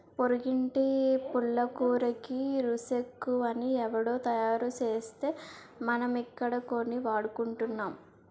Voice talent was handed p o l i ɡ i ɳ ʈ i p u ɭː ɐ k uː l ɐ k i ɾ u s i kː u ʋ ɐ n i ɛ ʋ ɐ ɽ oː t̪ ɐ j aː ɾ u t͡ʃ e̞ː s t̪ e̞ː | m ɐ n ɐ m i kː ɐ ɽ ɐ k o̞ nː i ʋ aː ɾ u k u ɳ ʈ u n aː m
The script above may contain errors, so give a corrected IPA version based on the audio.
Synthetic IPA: p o ɾ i ɡ i ɳ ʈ i p u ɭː ɐ k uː ɾ ɐ k i ɾ u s e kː u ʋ ɐ n i ɛ ʋ ɐ ɽ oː t̪ ɐ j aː ɾ u t͡ʃ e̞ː s t̪ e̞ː | m ɐ n ɐ m i kː ɐ ɽ ɐ k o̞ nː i ʋ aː ɽ u k u ɳ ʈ u nː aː m

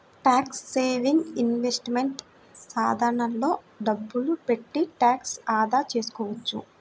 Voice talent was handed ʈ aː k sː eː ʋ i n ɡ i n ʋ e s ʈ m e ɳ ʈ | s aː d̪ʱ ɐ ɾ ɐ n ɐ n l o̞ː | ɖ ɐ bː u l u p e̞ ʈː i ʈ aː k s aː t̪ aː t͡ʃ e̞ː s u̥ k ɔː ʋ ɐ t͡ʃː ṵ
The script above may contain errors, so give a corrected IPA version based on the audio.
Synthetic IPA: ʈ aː k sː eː ʋ i ŋ ɡ i n ʋ e s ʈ m e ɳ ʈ | s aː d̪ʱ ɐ ɾ ɐ ɳ ɐ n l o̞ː | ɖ ɐ bː u l u p e̞ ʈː i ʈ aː k s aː d̪ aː t͡ʃ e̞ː s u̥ k ɔː ʋ ɐ t͡ʃː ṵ

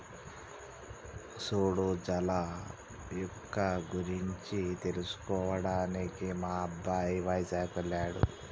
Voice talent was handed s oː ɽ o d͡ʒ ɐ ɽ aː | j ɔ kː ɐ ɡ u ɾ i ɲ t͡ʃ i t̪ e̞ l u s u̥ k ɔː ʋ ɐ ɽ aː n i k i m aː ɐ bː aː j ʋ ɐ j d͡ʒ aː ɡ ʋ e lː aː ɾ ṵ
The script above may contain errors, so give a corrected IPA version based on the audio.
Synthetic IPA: s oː ɽ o d͡ʒ ɐ l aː | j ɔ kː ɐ ɡ u ɾ i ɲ t͡ʃ i t̪ e̞ l u s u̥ k ɔː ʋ ɐ ɽ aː n i k i m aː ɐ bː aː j ʋ ɐ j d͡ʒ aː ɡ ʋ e lː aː ɽ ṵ

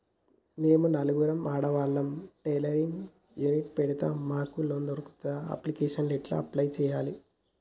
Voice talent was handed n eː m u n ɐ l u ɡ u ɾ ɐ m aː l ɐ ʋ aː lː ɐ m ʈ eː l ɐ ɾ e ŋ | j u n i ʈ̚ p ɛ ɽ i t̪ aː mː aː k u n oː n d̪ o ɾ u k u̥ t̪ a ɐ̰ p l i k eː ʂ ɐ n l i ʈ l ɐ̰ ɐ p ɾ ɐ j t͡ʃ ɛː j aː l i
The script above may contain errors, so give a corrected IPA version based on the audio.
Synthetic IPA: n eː m u n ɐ l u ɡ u ɾ ɐ m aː ɽ ɐ ʋ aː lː ɐ m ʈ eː l ɐ ɾ i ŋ | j u n i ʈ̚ p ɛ ɽ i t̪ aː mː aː k u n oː n d̪ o ɾ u k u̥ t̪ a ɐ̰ p l i k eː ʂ ɐ n l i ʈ l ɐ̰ ɐ p l ɐ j t͡ʃ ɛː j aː l i

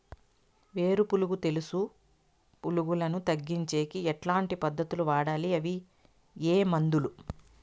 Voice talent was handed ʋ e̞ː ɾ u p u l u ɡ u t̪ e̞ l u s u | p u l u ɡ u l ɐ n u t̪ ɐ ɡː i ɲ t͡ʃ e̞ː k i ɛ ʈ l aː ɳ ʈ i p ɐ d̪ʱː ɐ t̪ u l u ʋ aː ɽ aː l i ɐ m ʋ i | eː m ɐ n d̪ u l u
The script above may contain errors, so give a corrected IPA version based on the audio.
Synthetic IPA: ʋ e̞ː ɾ u p u l u ɡ u t̪ e̞ l u s u | p u l u ɡ u l ɐ n u t̪ ɐ ɡː i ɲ t͡ʃ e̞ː k i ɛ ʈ l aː ɳ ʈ i p ɐ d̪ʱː ɐ t̪ u l u ʋ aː ɽ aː l i ɐ ʋ i | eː m ɐ n d̪ u l u

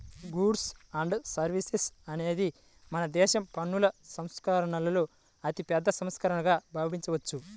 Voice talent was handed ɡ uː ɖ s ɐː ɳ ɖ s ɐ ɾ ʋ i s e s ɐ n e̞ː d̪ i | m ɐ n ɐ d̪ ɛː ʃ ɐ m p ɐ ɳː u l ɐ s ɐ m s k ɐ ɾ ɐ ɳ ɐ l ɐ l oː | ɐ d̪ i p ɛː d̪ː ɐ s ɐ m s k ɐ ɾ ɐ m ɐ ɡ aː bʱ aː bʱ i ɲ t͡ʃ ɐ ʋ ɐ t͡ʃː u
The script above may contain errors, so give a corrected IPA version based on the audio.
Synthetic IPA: ɡ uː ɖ s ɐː ɳ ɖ s ɐ ɾ ʋ i s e s ɐ n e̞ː d̪ i | m ɐ n ɐ d̪ ɛː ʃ ɐ m p ɐ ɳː u l ɐ s ɐ m s k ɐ ɾ ɐ ɳ ɐ l ɐ l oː | ɐ t̪ i p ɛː d̪ː ɐ s ɐ m s k ɐ ɾ ɐ ɳ ɐ ɡ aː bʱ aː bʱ i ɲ t͡ʃ ɐ ʋ ɐ t͡ʃː u

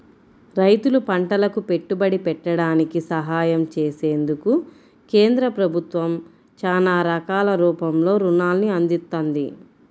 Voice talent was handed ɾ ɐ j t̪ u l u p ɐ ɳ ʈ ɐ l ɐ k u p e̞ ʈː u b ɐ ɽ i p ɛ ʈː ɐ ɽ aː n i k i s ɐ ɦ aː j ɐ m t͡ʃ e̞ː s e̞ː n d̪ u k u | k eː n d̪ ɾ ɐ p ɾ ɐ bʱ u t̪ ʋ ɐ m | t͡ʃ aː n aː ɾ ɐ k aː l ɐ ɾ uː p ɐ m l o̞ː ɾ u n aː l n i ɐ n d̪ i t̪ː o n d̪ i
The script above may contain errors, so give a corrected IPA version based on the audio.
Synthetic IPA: ɾ ɐ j t̪ u l u p ɐ ɳ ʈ ɐ l ɐ k u p e̞ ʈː u b ɐ ɽ i p ɛ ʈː ɐ ɽ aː n i k i s ɐ ɦ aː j ɐ m t͡ʃ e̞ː s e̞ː n d̪ u k u | k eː n d̪ ɾ ɐ p ɾ ɐ bʱ u t̪ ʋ ɐ m | t͡ʃ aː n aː ɾ ɐ k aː l ɐ ɾ uː p ɐ m l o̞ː ɾ u n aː l n i ɐ n d̪ i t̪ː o n d̪ i

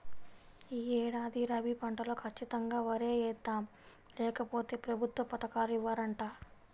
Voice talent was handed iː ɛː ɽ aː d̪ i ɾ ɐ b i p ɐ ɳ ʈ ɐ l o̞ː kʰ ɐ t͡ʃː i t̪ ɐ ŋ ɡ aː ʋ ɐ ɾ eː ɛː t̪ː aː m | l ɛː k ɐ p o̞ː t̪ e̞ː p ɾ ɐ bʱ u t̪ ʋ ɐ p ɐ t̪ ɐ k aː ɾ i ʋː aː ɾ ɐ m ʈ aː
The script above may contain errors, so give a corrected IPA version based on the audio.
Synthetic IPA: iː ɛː ɽ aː d̪ i ɾ ɐ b i p ɐ ɳ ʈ ɐ l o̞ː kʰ ɐ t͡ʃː i t̪ ɐ ŋ ɡ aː ʋ ɐ ɾ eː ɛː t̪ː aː m | l ɛː k ɐ p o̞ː t̪ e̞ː p ɾ ɐ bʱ u t̪ ʋ ɐ p ɐ t̪ ɐ k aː ɾ i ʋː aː ɾ ɐ ɳ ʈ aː

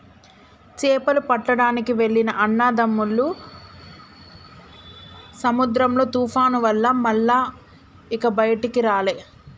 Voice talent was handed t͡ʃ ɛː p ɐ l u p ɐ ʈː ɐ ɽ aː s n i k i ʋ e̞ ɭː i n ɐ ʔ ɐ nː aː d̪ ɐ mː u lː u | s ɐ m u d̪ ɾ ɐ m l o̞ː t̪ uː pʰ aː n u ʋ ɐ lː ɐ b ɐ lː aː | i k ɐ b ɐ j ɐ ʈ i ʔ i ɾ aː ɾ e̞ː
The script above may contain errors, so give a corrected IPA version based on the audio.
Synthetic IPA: t͡ʃ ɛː p ɐ l u p ɐ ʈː ɐ ɽ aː n i k i ʋ e̞ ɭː i n ɐ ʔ ɐ nː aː d̪ ɐ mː u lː u | s ɐ m u d̪ ɾ ɐ m l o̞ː t̪ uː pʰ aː n u ʋ ɐ lː ɐ m ɐ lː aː | i k ɐ b ɐ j ɐ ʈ i k i ɾ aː l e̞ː

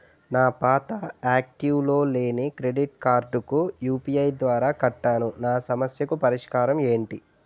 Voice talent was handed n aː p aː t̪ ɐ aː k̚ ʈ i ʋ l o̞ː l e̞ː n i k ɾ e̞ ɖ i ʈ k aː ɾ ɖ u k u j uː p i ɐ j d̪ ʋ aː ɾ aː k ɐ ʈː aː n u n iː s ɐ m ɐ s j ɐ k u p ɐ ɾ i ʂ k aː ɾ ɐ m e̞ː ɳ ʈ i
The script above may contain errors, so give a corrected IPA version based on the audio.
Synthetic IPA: n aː p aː t̪ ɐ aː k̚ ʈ i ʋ l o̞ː l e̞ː n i k ɾ e̞ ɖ i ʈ k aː ɾ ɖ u k u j uː p i ɐ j d̪ ʋ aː ɾ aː k ɐ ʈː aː n u n aː s ɐ m ɐ s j ɐ k u p ɐ ɾ i ʂ k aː ɾ ɐ m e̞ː ɳ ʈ i

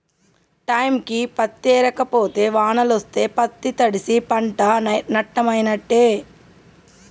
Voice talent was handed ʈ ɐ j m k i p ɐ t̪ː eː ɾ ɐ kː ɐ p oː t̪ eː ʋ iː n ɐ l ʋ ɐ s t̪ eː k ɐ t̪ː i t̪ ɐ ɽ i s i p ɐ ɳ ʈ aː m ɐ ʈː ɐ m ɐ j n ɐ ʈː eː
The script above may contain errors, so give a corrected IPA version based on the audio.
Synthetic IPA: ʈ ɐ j m k i p ɐ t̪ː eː ɾ ɐ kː ɐ p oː t̪ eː ʋ aː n ɐ l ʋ ɐ s t̪ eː p ɐ t̪ː i t̪ ɐ ɽ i s i p ɐ ɳ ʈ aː n ɐ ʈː ɐ m ɐ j n ɐ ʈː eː

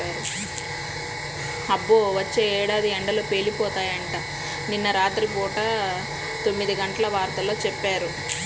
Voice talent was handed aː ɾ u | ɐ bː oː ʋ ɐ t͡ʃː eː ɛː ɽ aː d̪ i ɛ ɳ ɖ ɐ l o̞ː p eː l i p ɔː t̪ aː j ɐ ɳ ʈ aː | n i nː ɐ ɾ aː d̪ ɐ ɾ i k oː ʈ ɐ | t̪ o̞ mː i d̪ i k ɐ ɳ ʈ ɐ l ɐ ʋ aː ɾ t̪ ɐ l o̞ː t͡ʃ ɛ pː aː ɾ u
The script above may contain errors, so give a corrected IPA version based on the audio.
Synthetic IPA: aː ɾ u | ɐ bː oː ʋ ɐ t͡ʃː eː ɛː ɽ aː d̪ i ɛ ɳ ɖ ɐ l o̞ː p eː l i p ɔː t̪ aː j ɐ ɳ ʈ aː | n i nː ɐ ɾ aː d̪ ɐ ɾ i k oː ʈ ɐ | t̪ o̞ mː i d̪ i ɡ ɐ ɳ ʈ ɐ l ɐ ʋ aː ɾ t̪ ɐ l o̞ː t͡ʃ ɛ pː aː ɾ u

